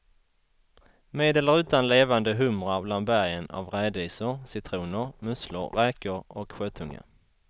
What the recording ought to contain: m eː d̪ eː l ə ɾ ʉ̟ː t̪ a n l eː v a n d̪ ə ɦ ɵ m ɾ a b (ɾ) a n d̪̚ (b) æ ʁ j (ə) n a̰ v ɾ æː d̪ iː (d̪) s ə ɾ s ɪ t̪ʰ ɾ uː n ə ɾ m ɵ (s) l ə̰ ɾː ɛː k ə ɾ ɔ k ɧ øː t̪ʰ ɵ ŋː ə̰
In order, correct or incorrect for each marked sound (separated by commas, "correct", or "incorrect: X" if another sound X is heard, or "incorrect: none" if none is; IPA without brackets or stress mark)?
incorrect: l, correct, correct, incorrect: none, correct